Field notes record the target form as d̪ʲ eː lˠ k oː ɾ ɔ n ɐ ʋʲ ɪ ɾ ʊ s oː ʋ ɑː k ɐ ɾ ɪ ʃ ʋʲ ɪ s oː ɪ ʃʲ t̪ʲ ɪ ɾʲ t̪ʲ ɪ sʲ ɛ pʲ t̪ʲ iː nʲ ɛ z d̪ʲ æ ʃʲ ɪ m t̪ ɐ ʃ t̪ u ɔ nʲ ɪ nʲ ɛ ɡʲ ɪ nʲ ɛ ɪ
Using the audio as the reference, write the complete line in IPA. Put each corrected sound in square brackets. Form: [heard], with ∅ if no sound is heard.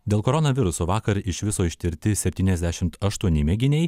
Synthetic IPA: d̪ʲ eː lˠ k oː ɾ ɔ n ɐ ʋʲ ɪ ɾ ʊ s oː ʋ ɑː k ɐ ɾ ɪ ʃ ʋʲ ɪ s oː ɪ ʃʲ t̪ʲ ɪ ɾʲ t̪ʲ ɪ sʲ ɛ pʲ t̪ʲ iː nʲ ɛ z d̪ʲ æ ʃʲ ɪ m t̪ ɐ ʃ t̪ u ɔ nʲ ɪ [mʲ] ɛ ɡʲ ɪ nʲ ɛ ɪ